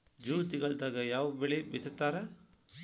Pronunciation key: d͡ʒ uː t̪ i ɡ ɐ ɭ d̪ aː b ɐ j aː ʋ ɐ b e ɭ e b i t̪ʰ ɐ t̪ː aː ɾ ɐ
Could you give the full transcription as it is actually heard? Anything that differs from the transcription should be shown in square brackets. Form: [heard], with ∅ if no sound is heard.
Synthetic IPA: d͡ʒ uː t̪ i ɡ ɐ ɭ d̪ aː [ɡ] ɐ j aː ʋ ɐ b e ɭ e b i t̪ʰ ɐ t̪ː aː ɾ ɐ